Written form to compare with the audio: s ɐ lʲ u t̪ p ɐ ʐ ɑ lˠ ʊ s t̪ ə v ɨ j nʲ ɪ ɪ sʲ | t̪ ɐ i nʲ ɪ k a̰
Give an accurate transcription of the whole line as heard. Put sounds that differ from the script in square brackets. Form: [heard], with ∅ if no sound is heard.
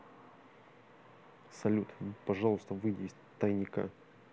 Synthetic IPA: s ɐ lʲ u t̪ p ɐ ʐ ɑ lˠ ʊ s t̪ ə v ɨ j [dʲ] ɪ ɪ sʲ | t̪ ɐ [j] nʲ ɪ k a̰